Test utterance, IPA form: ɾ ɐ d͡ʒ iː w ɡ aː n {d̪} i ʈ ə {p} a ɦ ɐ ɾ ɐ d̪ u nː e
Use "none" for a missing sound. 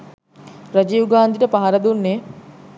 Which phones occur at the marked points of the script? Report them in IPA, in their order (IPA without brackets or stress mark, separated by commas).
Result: d̪, p